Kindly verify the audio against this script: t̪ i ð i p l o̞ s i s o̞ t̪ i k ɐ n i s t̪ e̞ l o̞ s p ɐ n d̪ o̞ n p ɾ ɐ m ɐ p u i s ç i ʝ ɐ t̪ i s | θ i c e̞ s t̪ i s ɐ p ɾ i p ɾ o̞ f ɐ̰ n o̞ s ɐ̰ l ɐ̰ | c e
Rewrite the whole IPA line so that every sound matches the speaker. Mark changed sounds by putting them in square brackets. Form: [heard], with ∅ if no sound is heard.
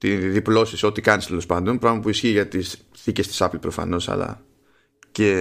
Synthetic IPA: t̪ i ð i p l o̞ s i s o̞ t̪ i k ɐ n i s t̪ e̞ l o̞ s p ɐ n d̪ o̞ n p ɾ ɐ m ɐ p u i s ç i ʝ ɐ t̪ i s | θ i c e̞ s t̪ i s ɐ p [l] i p ɾ o̞ f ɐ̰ n o̞ s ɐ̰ l ɐ̰ | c e